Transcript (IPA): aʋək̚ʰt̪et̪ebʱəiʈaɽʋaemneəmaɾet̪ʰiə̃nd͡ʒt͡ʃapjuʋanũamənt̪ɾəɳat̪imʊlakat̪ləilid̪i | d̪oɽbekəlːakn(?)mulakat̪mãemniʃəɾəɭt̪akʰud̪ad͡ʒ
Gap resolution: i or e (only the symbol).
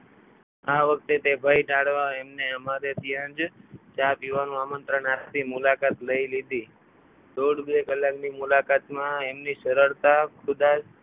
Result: i